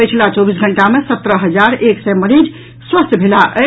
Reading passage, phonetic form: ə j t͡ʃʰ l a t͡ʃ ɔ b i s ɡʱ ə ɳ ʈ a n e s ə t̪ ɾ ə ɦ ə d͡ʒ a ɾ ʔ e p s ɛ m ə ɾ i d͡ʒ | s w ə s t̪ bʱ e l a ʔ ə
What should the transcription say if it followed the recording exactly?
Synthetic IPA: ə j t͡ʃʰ l a t͡ʃ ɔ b i s ɡʱ ə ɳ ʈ a m e s ə t̪ ɾ ə ɦ ə d͡ʒ a ɾ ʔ e k s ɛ m ə ɾ i d͡ʒ | s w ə s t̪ bʱ e l a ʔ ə